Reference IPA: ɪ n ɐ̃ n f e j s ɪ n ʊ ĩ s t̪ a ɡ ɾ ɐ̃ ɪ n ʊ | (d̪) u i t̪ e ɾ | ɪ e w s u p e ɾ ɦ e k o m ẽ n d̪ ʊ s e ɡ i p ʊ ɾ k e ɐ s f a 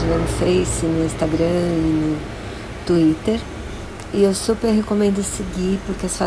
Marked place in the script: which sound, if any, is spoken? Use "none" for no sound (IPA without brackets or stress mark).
t̪